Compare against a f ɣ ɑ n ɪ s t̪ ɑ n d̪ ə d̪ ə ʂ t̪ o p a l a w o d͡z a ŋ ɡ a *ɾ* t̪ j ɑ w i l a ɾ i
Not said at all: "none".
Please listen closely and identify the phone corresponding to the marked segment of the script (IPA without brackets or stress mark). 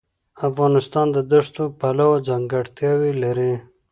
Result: ɽ